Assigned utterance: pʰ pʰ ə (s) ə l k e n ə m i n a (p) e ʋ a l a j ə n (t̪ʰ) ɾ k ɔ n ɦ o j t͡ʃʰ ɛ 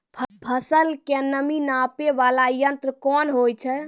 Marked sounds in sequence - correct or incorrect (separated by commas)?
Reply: correct, correct, incorrect